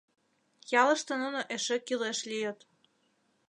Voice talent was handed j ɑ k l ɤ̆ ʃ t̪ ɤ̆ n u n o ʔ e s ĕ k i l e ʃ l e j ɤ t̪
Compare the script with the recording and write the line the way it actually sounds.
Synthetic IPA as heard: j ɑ l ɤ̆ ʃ t̪ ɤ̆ n u n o ʔ e ʃ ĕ k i l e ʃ l i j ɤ t̪